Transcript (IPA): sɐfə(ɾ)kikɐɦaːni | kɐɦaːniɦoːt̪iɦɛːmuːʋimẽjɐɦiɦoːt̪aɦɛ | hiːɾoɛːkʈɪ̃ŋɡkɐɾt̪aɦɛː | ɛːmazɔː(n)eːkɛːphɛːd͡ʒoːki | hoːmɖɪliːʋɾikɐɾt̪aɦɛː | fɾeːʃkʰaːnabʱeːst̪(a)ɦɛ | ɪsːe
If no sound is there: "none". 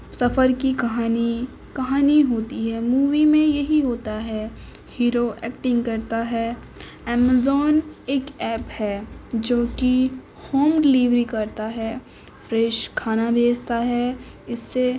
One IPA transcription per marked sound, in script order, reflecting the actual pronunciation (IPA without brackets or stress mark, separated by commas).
ɾ, n, a